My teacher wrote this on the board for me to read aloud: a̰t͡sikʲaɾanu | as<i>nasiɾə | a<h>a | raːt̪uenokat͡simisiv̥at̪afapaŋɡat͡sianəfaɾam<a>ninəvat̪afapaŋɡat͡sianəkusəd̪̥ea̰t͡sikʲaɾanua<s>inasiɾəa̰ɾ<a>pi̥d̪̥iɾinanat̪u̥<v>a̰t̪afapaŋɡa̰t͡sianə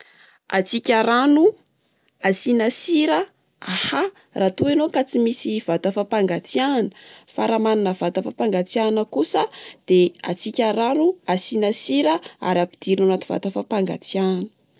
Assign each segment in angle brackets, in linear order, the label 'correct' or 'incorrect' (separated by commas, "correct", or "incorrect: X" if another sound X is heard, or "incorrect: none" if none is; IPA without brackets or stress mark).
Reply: correct, correct, correct, correct, correct, correct